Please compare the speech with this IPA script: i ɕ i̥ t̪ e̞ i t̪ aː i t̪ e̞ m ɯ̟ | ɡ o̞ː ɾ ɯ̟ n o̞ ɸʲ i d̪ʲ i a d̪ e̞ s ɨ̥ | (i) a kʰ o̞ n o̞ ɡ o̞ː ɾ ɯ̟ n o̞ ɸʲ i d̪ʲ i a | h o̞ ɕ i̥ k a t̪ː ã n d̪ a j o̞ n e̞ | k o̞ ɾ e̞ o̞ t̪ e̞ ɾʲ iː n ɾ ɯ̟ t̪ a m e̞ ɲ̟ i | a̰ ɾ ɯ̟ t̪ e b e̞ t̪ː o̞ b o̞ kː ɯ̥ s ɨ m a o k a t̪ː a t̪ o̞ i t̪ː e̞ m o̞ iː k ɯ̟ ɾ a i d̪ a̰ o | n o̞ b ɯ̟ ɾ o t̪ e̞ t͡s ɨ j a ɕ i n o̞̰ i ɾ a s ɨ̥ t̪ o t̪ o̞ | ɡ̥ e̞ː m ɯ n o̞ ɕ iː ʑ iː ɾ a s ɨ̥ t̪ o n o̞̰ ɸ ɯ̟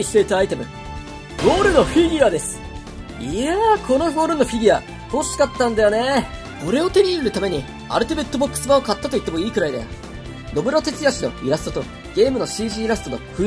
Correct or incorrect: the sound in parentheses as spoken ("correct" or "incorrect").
correct